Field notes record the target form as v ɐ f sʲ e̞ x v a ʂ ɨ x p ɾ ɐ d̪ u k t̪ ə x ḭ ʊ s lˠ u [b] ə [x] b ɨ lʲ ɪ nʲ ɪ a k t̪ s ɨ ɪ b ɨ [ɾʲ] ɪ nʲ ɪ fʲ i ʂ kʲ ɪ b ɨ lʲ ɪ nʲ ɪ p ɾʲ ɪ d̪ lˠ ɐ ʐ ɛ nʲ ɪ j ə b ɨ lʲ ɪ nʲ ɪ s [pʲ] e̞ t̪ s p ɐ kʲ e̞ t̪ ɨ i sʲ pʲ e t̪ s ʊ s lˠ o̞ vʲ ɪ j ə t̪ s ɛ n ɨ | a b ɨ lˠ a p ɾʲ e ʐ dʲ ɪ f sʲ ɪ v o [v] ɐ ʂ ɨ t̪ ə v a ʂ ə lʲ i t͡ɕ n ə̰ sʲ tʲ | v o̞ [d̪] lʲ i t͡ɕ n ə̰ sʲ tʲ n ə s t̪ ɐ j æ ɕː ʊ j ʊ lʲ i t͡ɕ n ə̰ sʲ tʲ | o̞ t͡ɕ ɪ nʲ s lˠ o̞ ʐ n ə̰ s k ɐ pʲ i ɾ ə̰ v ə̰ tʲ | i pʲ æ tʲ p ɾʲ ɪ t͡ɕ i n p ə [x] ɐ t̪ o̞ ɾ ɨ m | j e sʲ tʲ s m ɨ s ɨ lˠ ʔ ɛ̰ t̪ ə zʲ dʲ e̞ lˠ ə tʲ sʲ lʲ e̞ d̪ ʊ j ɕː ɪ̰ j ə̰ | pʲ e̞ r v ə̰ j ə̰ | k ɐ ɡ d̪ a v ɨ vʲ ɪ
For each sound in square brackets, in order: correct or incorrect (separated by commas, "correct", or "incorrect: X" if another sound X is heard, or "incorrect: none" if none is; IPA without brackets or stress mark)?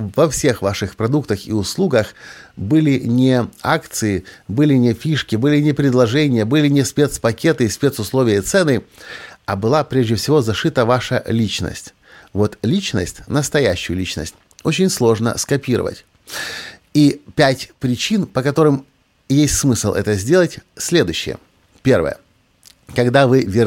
incorrect: ɡ, correct, incorrect: lʲ, correct, incorrect: z, incorrect: t̪, incorrect: k